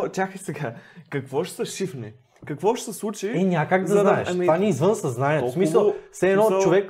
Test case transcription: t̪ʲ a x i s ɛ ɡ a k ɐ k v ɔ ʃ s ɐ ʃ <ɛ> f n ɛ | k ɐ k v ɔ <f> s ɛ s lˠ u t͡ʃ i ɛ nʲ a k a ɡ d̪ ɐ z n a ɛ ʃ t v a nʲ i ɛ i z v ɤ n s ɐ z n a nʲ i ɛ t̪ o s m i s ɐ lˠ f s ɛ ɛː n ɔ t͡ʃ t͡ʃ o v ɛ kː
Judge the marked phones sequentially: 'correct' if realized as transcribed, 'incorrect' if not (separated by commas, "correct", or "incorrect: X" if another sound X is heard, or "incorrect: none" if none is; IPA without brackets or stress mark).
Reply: incorrect: i, incorrect: ʃ